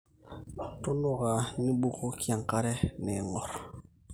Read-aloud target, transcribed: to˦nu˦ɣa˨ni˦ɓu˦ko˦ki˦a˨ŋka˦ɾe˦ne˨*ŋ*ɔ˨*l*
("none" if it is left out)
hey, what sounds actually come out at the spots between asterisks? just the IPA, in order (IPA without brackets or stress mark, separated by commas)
ŋ, ɾ